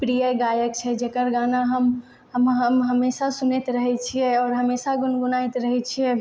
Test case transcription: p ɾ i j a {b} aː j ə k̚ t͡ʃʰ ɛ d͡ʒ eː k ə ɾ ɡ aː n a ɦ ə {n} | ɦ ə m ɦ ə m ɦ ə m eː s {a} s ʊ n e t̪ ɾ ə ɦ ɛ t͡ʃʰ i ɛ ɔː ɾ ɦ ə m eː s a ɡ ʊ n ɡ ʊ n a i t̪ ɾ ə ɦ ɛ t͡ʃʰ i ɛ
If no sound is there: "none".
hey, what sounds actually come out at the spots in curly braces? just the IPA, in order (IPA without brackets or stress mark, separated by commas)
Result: ɡ, m, a